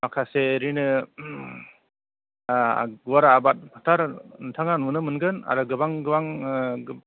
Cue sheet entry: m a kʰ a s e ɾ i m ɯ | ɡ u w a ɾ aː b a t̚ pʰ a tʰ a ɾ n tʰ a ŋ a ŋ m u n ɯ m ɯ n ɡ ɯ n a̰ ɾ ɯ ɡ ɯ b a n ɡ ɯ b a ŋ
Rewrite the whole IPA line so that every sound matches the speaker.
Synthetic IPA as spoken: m a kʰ a s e ɾ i n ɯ | ɡ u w a ɾ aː b a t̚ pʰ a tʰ a ɾ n tʰ a ŋ a n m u n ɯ m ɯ n ɡ ɯ n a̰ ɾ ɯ ɡ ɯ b a ŋ ɡ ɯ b a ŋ